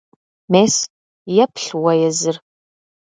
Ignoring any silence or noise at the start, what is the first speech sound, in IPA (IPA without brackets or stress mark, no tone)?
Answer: m